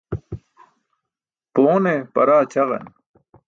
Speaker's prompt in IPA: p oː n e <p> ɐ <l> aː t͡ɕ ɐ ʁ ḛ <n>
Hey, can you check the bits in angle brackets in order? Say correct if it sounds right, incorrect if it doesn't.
correct, incorrect: ɾ, correct

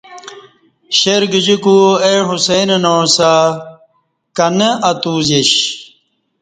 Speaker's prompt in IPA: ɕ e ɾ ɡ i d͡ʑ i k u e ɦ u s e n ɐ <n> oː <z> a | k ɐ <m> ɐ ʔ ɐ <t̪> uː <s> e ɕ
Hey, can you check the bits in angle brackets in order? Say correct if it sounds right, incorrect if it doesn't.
correct, incorrect: s, incorrect: n, correct, incorrect: z

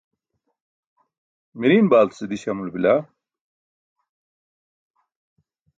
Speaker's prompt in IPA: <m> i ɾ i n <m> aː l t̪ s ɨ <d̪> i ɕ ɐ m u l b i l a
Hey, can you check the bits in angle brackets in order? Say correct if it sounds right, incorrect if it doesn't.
correct, incorrect: b, correct

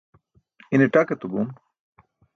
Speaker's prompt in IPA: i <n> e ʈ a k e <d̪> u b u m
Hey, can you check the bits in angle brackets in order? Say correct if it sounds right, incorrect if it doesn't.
correct, incorrect: t̪

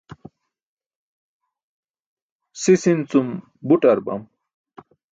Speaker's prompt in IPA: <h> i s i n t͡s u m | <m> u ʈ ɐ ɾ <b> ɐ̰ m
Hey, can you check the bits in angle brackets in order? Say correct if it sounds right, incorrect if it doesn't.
incorrect: s, incorrect: b, correct

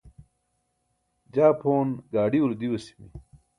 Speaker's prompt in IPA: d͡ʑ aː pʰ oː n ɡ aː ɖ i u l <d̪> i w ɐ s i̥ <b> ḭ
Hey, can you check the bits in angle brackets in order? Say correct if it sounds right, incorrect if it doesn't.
correct, incorrect: m

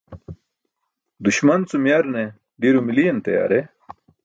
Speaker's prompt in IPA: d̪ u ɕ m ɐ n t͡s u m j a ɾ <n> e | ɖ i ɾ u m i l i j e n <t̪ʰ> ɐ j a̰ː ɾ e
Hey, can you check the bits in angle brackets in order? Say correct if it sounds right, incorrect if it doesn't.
correct, incorrect: t̪

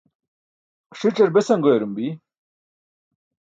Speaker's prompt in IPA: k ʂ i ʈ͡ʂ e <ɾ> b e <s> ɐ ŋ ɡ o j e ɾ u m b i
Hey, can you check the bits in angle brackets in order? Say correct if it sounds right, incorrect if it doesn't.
correct, correct

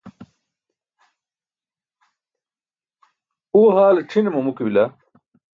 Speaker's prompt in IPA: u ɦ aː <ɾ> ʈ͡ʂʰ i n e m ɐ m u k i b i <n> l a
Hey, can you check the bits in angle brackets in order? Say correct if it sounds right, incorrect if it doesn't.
incorrect: l, incorrect: none

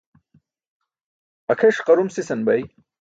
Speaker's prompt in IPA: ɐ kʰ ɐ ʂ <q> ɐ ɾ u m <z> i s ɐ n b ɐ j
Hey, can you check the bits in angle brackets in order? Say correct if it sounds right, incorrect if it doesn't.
correct, incorrect: s

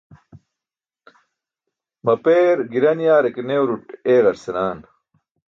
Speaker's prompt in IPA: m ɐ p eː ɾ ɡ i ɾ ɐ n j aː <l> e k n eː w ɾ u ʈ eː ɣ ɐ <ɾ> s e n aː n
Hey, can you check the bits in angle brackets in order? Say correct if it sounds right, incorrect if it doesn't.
incorrect: ɾ, correct

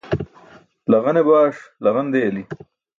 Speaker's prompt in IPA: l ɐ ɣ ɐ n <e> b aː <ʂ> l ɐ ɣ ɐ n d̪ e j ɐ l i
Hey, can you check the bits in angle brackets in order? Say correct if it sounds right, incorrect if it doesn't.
correct, correct

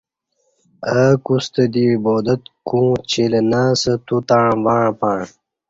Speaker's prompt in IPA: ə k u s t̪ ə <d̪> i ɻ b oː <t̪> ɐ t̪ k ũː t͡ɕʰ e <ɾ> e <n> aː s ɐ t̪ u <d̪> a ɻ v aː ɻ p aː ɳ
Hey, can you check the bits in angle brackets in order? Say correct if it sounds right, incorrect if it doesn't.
correct, incorrect: d̪, incorrect: l, correct, incorrect: t̪

